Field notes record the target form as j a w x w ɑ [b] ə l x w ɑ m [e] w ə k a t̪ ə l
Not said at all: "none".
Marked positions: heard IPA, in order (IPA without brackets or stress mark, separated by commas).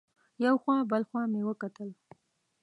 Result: b, e